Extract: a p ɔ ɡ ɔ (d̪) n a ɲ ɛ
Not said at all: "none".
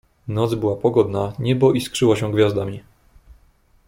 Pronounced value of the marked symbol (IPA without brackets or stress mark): d̪